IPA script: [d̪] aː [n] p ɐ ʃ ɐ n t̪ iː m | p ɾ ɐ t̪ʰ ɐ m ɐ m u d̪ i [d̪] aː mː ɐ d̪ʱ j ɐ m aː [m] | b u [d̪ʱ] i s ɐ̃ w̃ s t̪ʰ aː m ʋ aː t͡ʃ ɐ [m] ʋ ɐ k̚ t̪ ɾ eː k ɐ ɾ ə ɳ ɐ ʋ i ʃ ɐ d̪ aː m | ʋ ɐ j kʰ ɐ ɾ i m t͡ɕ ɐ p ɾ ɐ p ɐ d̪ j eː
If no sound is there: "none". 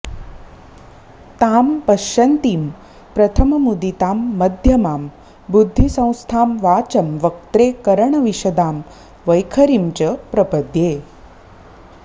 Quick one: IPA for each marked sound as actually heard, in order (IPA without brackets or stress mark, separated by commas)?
t̪, m, t̪, m, d̪ʱː, m